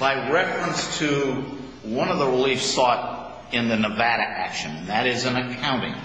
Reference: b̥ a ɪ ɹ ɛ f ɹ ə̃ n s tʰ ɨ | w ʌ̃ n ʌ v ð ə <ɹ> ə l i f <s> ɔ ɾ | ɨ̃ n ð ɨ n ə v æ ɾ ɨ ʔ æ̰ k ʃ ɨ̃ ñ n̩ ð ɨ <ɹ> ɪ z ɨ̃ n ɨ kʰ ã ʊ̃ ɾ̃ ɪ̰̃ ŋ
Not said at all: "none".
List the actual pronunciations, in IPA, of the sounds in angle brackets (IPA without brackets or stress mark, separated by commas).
ɹ, s, ɾ